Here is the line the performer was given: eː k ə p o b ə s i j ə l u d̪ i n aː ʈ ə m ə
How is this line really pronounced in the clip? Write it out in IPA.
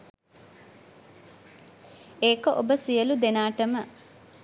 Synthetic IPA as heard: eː k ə ʔ o b ə s i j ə l u d̪ e n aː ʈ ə m ə